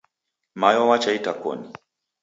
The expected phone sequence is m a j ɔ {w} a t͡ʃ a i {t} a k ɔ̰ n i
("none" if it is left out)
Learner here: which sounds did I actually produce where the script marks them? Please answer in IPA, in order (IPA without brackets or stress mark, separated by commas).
w, t